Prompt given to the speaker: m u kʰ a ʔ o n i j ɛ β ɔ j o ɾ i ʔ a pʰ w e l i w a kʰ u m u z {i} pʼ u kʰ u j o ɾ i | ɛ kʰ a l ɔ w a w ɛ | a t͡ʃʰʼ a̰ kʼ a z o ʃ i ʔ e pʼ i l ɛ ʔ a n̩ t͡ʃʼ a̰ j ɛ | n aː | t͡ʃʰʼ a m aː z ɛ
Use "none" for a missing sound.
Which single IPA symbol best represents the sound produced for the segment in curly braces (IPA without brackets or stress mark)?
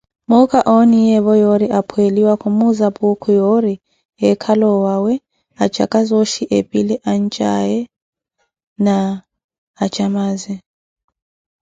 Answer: a